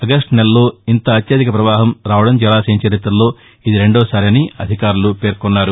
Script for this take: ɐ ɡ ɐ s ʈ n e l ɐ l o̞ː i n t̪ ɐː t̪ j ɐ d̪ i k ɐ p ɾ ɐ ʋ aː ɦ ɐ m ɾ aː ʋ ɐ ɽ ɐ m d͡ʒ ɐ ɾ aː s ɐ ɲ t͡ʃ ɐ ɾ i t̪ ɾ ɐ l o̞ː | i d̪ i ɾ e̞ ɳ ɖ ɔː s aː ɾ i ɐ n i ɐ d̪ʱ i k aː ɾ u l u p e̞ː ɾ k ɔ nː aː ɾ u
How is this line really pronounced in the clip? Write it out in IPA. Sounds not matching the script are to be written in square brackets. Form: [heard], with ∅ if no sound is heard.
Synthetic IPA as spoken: ɐ ɡ ɐ s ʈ n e l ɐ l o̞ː i n t̪ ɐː t̪ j ɐ d̪ i k ɐ p ɾ ɐ ʋ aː ɦ ɐ m ɾ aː ʋ ɐ ɽ ɐ m d͡ʒ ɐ [l] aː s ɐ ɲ t͡ʃ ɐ ɾ i t̪ ɾ ɐ l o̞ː | i d̪ i ɾ e̞ ɳ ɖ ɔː s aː ɾ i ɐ n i ɐ d̪ʱ i k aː ɾ u l u p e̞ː ɾ k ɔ nː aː ɾ u